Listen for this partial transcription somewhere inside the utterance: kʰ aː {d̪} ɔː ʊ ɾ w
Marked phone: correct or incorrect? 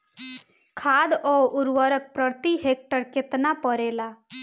correct